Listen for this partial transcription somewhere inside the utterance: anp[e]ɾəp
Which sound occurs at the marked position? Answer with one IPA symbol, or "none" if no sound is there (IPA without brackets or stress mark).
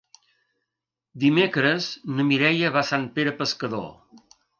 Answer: e